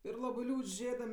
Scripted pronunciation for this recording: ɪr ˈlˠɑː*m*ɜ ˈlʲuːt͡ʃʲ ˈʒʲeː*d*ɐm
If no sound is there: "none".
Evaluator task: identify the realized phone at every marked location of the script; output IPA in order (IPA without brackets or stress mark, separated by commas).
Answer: b, d